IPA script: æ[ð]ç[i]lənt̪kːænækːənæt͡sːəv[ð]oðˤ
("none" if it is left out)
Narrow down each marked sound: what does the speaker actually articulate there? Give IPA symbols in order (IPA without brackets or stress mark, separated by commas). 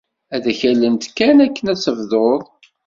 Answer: ð, æ, ð